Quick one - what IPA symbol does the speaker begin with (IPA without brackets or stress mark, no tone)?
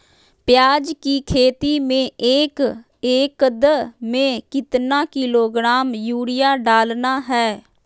p